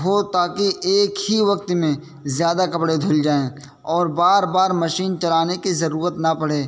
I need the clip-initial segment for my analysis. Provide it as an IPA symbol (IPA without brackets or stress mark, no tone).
ɦ